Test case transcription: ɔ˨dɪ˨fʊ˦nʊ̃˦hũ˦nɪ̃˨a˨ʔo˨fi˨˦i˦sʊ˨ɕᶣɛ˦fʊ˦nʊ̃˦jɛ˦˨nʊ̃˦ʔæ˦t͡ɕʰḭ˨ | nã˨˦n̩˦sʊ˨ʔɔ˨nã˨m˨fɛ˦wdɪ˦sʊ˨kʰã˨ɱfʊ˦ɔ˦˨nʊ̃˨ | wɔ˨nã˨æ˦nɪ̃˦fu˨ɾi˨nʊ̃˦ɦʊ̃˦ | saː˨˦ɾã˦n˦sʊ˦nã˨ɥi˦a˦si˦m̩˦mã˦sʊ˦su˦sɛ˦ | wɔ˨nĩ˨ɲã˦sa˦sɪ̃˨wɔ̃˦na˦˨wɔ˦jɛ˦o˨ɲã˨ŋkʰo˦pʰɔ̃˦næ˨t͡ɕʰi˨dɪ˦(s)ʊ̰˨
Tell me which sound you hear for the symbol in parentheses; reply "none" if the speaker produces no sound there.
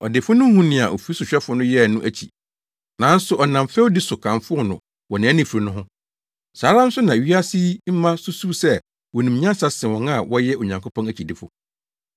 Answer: f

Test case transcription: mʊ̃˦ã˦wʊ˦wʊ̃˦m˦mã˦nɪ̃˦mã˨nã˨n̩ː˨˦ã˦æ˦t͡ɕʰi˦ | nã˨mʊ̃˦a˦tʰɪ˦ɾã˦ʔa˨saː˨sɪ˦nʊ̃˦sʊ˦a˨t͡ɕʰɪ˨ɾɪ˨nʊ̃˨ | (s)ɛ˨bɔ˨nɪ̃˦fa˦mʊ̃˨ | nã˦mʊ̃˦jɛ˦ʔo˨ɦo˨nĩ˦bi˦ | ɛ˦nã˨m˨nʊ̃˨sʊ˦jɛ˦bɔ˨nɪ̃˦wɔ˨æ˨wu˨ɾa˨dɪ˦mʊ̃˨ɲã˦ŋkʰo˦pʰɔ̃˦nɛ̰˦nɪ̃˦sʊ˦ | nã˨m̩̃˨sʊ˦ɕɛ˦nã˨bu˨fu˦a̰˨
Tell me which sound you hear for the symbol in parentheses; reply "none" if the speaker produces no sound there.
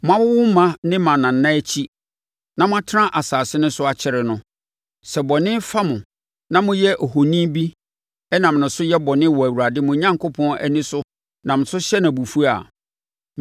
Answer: s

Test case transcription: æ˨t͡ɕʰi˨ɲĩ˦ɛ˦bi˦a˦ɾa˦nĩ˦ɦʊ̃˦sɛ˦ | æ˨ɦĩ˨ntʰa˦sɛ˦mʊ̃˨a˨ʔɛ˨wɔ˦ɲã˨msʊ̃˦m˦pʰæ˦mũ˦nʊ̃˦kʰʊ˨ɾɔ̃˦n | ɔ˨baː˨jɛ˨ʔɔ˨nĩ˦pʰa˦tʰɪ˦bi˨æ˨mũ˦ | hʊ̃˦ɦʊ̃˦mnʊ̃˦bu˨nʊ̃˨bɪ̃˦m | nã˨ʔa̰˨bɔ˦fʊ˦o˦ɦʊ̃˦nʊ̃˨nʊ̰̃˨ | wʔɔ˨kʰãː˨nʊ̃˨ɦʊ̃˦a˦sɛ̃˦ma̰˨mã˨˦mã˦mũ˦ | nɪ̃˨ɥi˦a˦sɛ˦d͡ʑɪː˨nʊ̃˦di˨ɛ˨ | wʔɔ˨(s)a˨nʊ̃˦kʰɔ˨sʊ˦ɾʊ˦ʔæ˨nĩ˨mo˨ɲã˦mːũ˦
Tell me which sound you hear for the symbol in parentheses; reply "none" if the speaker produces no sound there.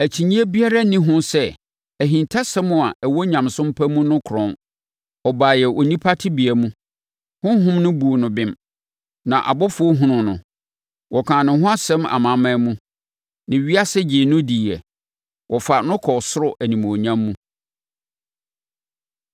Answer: f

